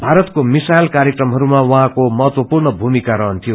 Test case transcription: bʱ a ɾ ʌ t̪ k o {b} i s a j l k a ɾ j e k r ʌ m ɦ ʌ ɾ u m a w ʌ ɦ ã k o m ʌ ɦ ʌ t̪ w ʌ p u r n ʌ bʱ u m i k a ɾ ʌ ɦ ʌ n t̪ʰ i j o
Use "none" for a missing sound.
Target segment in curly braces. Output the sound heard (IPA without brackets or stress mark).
m